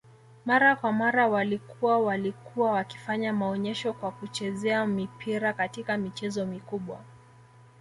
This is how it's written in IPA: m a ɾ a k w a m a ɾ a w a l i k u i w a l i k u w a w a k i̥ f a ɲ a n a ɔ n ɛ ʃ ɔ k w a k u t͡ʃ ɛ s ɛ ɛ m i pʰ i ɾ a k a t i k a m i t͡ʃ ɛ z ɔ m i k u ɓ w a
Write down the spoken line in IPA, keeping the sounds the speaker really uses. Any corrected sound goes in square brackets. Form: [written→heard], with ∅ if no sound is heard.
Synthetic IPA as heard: m a ɾ a k w a m a ɾ a w a l i k u [i→a] w a l i k u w a w a k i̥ f a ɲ a [n→m] a ɔ [n→ɲ] ɛ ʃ ɔ k w a k u t͡ʃ ɛ [s→z] ɛ [ɛ→a] m i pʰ i ɾ a k a t i k a m i t͡ʃ ɛ z ɔ m i k u ɓ w a